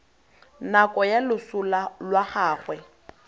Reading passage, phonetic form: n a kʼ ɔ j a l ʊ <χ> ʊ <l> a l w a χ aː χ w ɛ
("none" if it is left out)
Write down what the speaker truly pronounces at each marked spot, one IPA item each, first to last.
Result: s, l

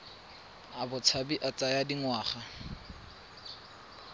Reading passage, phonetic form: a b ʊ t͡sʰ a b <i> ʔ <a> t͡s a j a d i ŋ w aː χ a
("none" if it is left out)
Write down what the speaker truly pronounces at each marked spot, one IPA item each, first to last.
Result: i, a

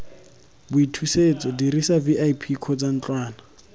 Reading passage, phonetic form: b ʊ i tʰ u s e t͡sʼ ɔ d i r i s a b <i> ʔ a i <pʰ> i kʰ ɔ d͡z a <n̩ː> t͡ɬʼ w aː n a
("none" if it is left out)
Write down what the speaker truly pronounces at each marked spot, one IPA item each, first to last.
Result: i, pʰ, n̩

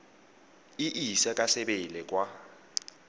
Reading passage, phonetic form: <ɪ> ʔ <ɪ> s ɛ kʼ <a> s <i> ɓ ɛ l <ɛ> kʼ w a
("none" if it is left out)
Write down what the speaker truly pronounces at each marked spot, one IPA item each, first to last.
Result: i, i, a, ɛ, ɛ

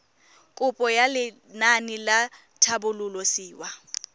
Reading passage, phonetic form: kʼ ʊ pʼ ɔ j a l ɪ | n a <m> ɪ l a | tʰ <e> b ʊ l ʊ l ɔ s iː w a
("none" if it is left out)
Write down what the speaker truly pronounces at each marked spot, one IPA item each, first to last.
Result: n, a

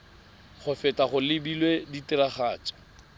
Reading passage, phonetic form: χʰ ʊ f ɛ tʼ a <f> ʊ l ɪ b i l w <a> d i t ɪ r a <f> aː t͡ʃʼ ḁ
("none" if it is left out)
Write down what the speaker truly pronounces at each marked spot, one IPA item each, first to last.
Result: χ, e, χ

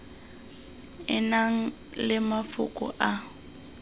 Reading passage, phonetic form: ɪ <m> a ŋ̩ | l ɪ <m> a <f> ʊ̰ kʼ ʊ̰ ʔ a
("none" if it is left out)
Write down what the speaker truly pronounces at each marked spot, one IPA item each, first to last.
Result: n, m, f

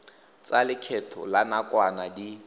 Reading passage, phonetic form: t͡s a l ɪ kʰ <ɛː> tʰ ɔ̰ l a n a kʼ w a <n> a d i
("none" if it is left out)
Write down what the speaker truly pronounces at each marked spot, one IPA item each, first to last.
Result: ɛ, n

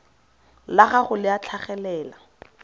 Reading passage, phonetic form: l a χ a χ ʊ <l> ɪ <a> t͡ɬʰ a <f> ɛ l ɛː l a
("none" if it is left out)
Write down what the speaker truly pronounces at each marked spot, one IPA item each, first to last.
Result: l, a, χ

